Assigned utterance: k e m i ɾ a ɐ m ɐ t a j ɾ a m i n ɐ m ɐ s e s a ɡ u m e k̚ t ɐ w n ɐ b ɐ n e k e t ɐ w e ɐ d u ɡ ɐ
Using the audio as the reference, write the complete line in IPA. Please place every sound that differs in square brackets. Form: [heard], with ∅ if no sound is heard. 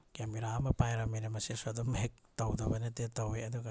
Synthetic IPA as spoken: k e m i ɾ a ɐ m ɐ [p] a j ɾ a m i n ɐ m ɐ s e s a [d] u m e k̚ t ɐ w [d] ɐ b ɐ n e [t] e t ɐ w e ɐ d u ɡ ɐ

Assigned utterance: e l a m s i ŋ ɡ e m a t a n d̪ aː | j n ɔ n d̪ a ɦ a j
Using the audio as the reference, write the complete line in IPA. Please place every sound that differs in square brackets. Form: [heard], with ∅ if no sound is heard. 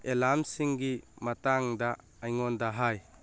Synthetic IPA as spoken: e l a m s i ŋ ɡ [i] m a t a [ŋ] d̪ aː | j [ŋ] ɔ n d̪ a ɦ a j

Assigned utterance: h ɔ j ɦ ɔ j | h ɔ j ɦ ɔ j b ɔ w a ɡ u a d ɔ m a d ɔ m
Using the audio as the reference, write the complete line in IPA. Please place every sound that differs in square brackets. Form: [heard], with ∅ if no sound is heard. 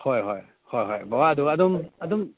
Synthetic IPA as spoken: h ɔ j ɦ ɔ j | h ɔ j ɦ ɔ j b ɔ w a [d] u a d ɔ m a d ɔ m

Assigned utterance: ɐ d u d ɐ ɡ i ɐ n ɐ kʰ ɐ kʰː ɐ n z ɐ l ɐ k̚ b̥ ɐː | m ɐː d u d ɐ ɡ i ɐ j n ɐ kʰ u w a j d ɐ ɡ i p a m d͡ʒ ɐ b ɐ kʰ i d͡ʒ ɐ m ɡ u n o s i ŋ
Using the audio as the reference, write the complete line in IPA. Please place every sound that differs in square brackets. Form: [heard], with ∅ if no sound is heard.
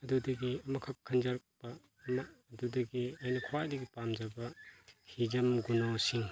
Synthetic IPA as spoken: ɐ d u d ɐ ɡ i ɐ [m] ɐ kʰ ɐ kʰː ɐ n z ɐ [ɾ] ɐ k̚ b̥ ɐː | m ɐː d u d ɐ ɡ i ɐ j n ɐ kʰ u w a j d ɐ ɡ i p a m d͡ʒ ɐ b ɐ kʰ i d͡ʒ ɐ m ɡ u n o s i ŋ

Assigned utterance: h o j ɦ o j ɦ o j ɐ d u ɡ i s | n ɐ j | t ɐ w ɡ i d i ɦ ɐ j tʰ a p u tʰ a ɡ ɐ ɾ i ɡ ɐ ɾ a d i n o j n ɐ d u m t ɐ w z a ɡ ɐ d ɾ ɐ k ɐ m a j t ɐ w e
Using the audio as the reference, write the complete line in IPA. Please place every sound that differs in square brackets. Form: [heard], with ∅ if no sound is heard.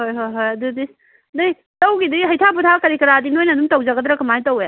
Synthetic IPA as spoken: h o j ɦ o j ɦ o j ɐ d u [d] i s | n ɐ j | t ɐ w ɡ i d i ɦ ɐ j tʰ a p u tʰ a [k] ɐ ɾ i [k] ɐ ɾ a d i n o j n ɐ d u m t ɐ w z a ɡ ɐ d ɾ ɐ k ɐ m a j t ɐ w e

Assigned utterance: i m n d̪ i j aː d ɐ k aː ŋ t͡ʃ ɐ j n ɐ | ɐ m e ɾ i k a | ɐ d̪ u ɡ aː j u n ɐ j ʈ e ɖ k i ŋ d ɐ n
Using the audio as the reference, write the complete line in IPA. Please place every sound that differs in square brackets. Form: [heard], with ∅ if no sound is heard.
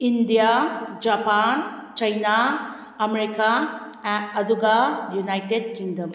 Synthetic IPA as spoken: i [∅] n d̪ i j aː [d͡ʒ] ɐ [p] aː [n] t͡ʃ ɐ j n [a] | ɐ m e ɾ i k a | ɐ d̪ u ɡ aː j u n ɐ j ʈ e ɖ k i ŋ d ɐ [m]

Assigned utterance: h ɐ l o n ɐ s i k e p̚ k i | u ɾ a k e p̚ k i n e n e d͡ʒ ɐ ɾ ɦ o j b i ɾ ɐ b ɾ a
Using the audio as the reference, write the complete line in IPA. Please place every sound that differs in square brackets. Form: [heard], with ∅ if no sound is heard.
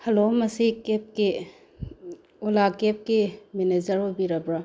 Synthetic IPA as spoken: h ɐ l o [m] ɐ s i k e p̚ k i | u [l] a k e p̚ k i [m] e n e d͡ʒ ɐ ɾ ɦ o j b i ɾ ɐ b ɾ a

